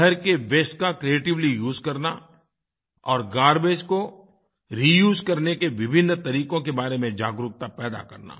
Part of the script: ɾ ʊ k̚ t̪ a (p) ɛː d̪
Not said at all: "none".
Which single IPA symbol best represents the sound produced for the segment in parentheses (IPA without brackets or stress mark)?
p